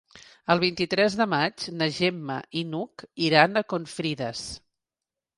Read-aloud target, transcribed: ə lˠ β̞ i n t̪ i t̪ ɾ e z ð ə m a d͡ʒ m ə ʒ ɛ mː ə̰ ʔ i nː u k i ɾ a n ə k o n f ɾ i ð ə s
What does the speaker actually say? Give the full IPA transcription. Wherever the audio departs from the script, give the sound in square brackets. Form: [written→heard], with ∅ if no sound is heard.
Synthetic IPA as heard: ə lˠ β̞ i n t̪ i t̪ ɾ [e→ɛ] z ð ə m a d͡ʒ [m→n] ə ʒ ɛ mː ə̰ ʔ i [nː→n] u k i ɾ a n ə k o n f ɾ i ð ə s